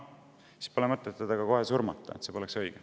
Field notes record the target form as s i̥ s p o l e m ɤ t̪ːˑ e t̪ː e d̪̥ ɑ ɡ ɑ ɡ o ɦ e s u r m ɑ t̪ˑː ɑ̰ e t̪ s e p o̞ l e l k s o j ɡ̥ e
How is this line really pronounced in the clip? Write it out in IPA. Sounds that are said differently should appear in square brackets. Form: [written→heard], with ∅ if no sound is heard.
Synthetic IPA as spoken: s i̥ s p o l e m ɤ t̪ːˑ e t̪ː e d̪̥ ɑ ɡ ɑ [ɡ→k] o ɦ e s u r m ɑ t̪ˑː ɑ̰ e t̪ s e p o̞ l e [l→∅] k s [o→ɤ] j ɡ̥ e